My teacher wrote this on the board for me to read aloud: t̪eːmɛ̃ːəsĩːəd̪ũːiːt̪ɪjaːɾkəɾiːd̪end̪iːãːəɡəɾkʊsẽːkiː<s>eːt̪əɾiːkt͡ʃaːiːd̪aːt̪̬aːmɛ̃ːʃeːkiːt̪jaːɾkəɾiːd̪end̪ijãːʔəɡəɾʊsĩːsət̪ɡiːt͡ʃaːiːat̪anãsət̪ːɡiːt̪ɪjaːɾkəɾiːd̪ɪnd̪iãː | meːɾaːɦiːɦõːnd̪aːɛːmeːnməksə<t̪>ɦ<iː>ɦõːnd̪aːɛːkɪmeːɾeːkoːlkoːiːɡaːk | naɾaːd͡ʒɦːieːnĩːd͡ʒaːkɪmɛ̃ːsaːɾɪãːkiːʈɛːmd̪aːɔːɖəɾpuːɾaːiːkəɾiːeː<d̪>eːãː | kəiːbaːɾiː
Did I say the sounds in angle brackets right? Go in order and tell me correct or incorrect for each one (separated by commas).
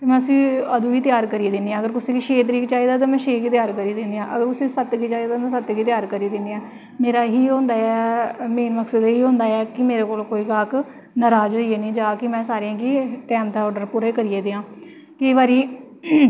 incorrect, incorrect, correct, correct